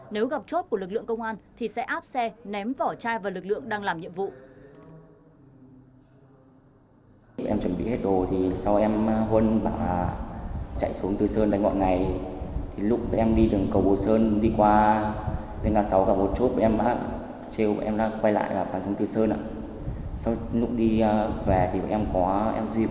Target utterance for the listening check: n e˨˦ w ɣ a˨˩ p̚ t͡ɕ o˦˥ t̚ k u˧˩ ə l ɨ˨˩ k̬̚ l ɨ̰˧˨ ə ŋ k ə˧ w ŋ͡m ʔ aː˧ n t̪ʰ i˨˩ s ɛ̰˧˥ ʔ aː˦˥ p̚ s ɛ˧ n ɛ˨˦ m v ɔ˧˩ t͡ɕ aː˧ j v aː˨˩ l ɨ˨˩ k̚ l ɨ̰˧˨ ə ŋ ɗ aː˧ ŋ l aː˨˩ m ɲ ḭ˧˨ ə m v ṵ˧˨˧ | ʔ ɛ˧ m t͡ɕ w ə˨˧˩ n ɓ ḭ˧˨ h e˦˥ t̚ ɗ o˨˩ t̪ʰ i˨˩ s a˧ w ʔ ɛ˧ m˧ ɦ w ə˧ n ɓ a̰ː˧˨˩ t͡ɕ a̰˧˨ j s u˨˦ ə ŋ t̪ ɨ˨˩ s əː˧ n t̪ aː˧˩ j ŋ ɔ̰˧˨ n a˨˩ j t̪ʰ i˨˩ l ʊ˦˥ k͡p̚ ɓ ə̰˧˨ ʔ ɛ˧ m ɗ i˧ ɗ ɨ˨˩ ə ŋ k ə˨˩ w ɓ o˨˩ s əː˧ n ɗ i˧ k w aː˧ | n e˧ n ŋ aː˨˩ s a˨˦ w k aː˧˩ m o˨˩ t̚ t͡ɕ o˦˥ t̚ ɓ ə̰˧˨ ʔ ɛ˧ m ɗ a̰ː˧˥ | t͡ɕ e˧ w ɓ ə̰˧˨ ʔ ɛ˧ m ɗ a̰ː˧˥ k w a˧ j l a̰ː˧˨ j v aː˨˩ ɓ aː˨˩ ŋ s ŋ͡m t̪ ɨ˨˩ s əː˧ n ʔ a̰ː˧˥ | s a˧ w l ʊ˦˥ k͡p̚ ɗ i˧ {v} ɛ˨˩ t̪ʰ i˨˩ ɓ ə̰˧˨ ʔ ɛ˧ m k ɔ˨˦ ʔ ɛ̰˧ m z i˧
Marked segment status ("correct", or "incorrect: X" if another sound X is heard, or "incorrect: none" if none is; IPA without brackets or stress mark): correct